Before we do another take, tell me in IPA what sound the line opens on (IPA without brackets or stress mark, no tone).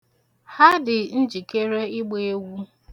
h